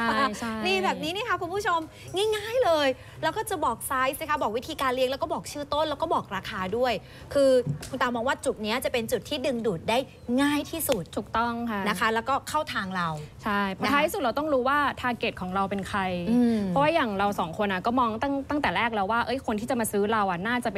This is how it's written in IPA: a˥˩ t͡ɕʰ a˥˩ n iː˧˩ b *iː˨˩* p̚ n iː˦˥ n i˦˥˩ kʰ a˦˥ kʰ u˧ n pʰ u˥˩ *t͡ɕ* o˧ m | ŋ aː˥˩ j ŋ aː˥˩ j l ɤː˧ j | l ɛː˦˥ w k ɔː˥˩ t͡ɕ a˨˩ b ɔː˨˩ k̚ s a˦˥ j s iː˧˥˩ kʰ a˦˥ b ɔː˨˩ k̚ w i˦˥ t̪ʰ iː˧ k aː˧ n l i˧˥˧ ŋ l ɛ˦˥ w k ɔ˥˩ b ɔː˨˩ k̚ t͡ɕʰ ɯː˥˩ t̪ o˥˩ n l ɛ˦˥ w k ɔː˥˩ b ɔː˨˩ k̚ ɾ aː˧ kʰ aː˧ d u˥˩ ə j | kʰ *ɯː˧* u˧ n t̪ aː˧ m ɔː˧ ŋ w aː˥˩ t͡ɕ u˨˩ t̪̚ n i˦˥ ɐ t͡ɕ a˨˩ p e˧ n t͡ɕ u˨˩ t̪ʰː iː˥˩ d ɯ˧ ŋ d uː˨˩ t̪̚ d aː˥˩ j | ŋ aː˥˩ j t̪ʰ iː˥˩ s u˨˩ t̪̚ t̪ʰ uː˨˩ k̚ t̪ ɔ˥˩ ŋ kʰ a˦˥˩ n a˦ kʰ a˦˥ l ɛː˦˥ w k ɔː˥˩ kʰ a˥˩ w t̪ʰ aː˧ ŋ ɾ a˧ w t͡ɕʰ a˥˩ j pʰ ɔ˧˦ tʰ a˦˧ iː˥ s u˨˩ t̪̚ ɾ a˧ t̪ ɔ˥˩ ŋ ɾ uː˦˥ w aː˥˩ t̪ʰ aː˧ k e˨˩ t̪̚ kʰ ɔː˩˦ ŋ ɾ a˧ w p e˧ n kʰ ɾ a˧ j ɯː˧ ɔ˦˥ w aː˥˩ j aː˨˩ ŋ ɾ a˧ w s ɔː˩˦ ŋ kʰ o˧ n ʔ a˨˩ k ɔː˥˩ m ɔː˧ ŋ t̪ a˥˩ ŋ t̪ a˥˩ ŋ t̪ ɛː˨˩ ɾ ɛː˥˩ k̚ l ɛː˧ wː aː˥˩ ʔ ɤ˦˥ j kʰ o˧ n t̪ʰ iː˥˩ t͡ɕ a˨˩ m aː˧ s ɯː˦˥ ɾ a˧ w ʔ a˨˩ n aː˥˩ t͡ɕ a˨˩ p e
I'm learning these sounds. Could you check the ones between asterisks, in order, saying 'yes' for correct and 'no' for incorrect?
no, no, yes

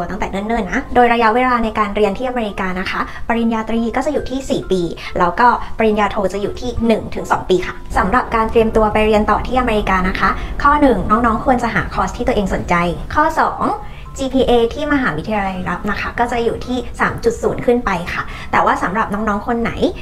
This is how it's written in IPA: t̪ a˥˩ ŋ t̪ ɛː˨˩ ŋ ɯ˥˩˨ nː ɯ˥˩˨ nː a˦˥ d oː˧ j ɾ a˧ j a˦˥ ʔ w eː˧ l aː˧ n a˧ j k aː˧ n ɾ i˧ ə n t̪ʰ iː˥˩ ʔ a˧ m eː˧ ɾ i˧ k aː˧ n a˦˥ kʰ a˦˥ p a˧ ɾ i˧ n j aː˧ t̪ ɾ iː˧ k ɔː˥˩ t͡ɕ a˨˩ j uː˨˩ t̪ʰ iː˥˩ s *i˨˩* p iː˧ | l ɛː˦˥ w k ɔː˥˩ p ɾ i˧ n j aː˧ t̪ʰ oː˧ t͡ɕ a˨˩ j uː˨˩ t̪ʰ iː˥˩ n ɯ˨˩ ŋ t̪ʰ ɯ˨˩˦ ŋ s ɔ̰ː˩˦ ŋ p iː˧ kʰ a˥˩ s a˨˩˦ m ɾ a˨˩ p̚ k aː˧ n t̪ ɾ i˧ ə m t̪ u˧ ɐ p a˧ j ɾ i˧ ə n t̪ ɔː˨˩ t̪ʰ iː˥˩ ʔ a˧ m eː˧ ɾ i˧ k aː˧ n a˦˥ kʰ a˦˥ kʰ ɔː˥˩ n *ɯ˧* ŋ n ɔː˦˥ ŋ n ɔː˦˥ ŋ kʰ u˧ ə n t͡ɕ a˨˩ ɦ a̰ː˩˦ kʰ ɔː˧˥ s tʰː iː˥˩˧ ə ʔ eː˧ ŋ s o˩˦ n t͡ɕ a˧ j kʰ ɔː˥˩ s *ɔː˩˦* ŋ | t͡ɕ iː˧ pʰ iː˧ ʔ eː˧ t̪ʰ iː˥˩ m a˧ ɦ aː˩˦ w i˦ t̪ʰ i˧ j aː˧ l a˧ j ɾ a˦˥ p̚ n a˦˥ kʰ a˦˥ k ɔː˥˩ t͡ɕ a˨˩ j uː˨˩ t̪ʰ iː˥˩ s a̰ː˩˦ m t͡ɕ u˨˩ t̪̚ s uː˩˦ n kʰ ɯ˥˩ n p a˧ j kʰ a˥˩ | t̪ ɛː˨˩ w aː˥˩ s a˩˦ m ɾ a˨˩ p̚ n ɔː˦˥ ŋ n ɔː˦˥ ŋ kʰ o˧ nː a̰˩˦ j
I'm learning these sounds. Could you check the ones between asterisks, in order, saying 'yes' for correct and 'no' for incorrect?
no, no, yes

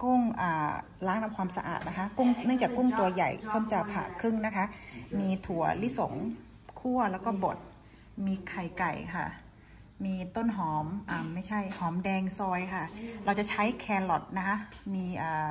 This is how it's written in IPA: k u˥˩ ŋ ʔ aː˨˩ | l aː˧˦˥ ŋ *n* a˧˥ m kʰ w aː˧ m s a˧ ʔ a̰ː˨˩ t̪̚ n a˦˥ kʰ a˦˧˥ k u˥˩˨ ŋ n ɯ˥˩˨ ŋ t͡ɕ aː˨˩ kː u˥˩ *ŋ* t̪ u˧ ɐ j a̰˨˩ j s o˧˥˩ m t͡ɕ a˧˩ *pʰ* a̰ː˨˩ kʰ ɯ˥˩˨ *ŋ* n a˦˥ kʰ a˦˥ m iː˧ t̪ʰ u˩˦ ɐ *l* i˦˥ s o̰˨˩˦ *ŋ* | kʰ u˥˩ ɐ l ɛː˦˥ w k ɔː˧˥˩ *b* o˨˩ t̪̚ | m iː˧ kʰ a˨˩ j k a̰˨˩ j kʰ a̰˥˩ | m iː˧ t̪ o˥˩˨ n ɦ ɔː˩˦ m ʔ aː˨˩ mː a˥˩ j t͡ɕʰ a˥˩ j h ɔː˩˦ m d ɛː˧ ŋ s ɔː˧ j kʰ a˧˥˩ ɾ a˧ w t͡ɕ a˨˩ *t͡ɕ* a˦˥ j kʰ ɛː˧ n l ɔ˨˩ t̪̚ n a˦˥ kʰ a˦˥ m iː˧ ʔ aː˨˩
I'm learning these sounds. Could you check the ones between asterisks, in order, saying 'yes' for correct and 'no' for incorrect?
yes, yes, yes, yes, yes, yes, yes, no

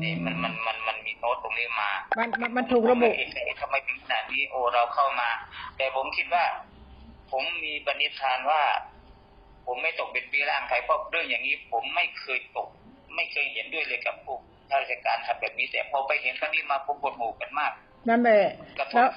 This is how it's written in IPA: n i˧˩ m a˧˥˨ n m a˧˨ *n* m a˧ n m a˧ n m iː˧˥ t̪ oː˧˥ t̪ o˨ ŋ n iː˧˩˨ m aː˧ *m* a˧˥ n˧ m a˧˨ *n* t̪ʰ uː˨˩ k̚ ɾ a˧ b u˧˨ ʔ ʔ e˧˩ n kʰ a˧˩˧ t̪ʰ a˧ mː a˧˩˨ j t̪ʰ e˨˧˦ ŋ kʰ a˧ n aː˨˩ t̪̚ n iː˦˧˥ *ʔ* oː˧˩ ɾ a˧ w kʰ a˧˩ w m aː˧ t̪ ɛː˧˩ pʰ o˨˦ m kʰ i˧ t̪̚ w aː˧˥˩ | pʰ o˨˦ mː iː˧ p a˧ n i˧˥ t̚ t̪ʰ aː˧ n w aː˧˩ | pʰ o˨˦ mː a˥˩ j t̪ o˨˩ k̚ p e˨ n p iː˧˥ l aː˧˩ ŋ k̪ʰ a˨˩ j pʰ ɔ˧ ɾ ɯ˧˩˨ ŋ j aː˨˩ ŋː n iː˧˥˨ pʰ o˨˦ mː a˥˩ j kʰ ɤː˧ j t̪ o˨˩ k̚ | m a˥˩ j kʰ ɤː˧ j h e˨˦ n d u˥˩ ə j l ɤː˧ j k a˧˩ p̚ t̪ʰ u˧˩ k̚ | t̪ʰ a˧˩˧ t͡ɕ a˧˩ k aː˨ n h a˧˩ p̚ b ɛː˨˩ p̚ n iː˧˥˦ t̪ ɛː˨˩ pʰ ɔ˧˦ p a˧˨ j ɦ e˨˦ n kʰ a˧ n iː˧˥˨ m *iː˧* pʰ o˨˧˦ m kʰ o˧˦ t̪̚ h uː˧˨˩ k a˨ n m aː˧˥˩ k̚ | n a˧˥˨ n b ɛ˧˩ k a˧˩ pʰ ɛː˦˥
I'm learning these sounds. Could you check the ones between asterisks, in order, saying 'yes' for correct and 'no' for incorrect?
yes, yes, yes, yes, no

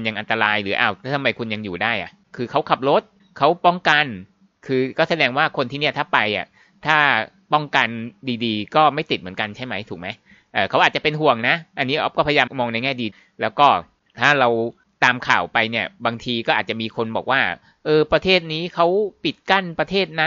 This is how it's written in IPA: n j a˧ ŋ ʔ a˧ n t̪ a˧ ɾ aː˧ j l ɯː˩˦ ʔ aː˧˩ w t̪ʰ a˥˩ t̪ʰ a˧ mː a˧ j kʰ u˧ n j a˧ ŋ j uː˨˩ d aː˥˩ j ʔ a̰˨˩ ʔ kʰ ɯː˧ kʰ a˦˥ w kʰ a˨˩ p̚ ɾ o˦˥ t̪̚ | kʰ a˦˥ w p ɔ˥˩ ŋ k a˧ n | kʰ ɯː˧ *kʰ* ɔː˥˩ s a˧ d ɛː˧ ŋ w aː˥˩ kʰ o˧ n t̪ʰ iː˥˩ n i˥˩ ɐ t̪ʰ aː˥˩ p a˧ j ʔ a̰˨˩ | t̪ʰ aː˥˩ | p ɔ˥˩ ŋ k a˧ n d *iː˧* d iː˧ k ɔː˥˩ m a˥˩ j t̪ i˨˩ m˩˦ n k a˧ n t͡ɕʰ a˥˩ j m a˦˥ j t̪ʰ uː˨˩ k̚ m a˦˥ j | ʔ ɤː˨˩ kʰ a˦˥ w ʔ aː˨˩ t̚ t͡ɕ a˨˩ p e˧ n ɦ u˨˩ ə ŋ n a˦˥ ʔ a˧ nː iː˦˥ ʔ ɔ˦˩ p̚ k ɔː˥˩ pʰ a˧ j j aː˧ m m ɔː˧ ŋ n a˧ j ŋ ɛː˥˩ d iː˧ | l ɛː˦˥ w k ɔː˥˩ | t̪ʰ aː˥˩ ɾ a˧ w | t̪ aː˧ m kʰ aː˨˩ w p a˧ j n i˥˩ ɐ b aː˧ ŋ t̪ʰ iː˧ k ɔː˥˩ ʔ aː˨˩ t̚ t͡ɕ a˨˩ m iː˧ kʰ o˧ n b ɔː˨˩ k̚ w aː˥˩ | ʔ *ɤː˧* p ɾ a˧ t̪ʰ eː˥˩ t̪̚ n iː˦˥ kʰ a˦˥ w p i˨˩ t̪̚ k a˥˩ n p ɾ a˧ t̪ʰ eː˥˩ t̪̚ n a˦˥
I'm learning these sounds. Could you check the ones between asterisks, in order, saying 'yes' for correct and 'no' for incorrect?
no, yes, yes

